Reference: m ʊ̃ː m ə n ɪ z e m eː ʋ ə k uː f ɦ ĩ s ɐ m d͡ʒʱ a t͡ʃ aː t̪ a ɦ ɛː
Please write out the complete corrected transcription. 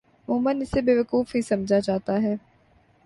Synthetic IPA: m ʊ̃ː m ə n ɪ s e b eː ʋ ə k uː f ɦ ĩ s ɐ m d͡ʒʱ a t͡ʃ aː t̪ a ɦ ɛː